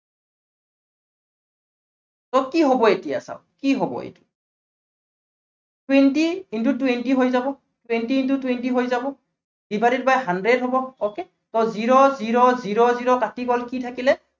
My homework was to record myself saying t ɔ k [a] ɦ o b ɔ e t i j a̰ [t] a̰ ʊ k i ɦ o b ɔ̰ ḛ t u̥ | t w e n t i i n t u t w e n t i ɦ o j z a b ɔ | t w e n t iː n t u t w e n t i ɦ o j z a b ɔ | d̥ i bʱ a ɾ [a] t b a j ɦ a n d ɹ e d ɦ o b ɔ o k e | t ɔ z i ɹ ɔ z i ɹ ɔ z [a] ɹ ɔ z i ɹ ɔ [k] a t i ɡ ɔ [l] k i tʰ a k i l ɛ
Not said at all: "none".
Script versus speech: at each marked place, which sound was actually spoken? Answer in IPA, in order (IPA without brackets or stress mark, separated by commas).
i, s, i, i, k, l